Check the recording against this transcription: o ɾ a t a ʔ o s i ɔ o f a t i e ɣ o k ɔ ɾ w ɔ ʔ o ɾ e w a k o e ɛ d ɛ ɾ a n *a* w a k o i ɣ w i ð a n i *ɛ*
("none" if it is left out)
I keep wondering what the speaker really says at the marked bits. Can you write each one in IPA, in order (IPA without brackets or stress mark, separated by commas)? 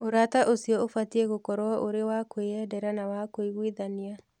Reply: a, a